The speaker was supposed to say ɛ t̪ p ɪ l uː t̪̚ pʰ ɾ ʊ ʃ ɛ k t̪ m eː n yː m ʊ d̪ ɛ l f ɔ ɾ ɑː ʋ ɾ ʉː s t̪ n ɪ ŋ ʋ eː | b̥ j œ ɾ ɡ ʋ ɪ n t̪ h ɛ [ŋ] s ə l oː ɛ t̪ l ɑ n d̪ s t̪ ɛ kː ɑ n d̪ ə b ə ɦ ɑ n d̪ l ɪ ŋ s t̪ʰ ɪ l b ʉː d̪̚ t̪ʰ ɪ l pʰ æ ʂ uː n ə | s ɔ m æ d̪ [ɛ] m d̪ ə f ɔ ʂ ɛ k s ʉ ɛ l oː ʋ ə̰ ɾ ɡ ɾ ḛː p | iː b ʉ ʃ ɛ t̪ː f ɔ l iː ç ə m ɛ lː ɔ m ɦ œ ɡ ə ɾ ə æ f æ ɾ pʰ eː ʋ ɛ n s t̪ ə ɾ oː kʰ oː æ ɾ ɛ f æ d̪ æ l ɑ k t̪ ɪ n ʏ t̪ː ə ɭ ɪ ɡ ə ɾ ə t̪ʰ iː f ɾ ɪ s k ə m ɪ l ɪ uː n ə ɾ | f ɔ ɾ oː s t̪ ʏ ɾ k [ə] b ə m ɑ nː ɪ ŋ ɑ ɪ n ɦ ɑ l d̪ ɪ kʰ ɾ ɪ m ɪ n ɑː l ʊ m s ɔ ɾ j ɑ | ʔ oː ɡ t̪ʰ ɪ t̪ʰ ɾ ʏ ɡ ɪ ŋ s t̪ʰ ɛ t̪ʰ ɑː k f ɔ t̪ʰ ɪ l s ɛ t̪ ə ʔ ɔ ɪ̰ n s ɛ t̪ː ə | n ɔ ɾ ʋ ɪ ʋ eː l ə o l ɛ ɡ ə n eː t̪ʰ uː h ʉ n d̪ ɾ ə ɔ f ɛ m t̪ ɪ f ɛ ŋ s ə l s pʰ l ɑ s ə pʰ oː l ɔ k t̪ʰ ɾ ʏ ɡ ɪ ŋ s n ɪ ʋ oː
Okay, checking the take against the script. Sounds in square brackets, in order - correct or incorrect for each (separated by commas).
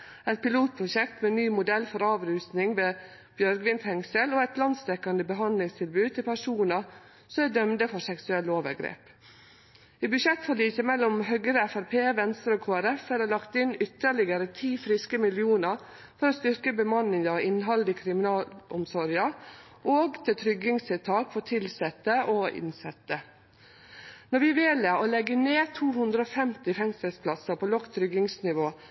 correct, incorrect, correct